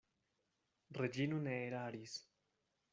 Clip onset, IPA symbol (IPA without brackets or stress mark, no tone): r